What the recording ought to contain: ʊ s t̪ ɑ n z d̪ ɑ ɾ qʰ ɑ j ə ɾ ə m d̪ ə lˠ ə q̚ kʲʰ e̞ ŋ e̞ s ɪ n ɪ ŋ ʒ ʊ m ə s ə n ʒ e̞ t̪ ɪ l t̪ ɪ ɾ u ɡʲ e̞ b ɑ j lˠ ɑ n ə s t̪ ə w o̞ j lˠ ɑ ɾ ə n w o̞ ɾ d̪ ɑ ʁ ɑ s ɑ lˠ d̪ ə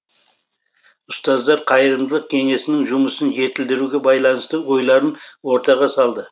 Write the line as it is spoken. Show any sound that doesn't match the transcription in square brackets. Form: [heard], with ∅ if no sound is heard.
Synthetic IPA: ʊ s t̪ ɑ [∅] z d̪ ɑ ɾ qʰ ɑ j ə ɾ ə m d̪ ə lˠ ə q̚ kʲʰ e̞ ŋ e̞ s ɪ n ɪ ŋ ʒ ʊ m ə s ə n ʒ e̞ t̪ ɪ l [d̪] ɪ ɾ u ɡʲ e̞ b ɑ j lˠ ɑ n ə s t̪ ə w o̞ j lˠ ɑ ɾ ə n w o̞ ɾ [t̪] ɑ ʁ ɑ s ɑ lˠ d̪ ə